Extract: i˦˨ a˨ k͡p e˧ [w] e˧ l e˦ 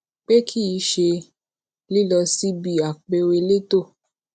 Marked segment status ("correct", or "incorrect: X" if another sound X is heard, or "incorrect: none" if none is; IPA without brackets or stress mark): correct